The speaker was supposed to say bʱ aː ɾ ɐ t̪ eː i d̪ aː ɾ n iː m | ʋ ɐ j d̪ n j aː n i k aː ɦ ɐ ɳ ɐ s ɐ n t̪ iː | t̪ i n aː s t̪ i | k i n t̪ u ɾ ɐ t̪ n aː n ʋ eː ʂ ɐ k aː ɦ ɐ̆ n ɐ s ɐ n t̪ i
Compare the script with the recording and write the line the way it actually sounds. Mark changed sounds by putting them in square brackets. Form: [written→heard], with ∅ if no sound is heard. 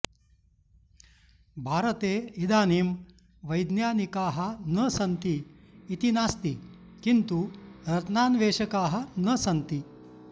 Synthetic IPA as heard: bʱ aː ɾ ɐ t̪ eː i d̪ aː [ɾ→∅] n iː m | ʋ ɐ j d̪ n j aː n i k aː ɦ ɐ [ɳ→n] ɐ s ɐ n t̪ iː | t̪ i n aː s t̪ i | k i n t̪ u ɾ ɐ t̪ n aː n ʋ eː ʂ ɐ k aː ɦ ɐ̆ n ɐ s ɐ n t̪ i